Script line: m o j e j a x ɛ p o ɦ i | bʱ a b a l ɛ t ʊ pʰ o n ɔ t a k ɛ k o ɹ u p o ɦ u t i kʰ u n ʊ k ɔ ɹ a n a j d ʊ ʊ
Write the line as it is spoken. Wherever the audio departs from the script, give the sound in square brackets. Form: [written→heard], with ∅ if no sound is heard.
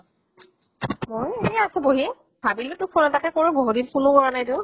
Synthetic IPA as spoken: m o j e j a [x→s] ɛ [p→b] o ɦ i | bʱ a b [a→i] l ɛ t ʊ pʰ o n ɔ t a k ɛ k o ɹ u [p→b] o ɦ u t i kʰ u n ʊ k ɔ ɹ a n a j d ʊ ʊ

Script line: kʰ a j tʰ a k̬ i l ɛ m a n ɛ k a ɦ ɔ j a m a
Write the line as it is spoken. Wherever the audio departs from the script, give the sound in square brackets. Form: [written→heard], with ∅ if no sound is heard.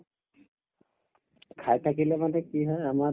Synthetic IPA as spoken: kʰ a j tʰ a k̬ i l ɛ m a n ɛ k [a→i] ɦ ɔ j a m a

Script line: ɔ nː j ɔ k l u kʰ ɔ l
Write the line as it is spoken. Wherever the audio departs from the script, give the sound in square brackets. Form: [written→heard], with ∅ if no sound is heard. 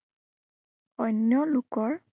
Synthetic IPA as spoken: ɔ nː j ɔ [k→∅] l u [kʰ→k] ɔ [l→ɹ]

